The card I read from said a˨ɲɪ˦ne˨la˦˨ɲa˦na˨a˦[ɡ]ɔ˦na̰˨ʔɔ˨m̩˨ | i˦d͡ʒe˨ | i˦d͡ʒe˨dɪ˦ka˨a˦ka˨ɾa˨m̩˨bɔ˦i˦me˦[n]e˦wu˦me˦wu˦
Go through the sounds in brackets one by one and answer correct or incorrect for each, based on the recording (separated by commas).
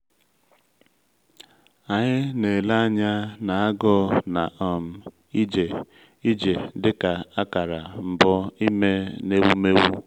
correct, correct